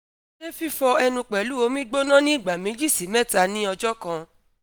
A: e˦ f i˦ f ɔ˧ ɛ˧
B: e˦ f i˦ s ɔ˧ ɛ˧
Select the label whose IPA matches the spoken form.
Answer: A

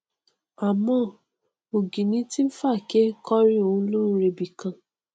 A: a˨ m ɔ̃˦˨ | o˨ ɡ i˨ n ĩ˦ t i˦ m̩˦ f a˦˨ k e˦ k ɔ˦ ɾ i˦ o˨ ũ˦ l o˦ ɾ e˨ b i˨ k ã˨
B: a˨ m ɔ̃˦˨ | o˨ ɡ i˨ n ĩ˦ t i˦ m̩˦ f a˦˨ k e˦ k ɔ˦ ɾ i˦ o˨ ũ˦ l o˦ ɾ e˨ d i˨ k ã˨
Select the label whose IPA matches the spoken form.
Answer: A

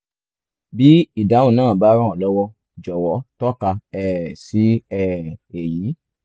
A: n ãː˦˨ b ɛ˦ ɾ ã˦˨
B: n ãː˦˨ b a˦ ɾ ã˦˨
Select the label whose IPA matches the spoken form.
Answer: B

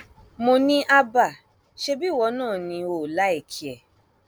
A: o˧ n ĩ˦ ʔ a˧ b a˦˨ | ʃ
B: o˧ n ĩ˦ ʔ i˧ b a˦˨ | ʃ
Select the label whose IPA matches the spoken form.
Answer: A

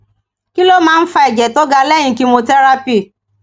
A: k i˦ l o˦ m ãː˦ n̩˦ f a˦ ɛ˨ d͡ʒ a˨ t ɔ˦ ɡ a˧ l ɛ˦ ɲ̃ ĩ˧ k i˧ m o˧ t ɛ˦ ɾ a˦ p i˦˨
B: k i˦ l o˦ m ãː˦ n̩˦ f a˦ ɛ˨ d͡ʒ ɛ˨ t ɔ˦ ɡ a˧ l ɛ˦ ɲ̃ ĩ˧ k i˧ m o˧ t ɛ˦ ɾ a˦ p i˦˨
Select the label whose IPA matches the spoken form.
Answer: B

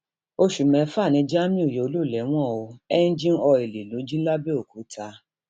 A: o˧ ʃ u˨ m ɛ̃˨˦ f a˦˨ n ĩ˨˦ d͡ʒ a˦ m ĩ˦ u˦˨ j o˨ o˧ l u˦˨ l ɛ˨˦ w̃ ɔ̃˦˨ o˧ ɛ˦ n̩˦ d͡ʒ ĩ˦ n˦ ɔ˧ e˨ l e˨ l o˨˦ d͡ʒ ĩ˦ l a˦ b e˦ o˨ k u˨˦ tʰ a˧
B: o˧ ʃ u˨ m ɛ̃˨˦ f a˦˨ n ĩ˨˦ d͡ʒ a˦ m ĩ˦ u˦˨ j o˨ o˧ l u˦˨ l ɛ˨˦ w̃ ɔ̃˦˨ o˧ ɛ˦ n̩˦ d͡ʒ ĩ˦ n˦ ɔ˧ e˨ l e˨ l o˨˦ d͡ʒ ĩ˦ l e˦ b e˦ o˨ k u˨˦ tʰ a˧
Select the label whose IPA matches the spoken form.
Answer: A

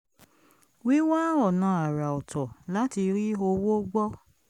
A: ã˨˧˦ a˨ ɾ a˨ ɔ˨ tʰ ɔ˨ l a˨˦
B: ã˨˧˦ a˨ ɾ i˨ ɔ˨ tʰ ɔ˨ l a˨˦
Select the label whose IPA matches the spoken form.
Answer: A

